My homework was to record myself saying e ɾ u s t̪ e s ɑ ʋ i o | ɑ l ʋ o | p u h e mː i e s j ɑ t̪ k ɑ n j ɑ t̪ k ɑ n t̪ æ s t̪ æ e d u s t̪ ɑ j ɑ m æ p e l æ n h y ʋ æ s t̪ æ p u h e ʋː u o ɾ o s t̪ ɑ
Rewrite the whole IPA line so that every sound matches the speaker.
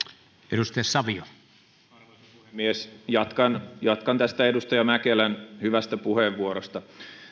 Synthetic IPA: e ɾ u s t̪ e s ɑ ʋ i o | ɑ r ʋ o | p u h e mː i e s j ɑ t̪ k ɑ n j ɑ t̪ k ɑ n t̪ æ s t̪ æ e d u s t̪ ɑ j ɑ m æ k e l æ n h y ʋ æ s t̪ æ p u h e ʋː u o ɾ o s t̪ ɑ